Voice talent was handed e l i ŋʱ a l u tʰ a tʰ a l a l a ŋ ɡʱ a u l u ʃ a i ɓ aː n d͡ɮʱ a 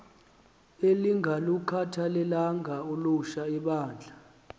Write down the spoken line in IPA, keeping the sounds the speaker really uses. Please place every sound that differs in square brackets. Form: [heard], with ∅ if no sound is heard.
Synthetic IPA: e l i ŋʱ a l u [kʰ] a tʰ a l [ɛ] l a ŋ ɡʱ a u l u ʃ a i ɓ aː n d͡ɮʱ a